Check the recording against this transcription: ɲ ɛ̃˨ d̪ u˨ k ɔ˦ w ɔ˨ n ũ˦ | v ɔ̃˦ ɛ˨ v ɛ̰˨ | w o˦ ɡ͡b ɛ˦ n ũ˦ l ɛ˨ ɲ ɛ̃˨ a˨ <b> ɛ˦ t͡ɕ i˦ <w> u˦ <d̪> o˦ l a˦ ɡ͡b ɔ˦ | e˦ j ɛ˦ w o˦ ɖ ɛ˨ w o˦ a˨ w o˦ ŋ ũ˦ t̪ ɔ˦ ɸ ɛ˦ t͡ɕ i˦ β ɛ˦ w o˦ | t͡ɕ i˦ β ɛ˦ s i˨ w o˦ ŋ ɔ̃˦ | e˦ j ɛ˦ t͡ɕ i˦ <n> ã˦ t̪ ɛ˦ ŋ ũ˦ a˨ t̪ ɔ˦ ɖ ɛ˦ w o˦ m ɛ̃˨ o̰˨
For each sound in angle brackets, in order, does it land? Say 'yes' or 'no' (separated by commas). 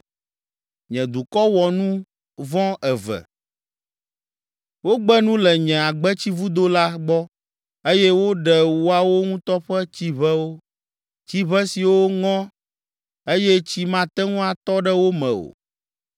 no, no, yes, no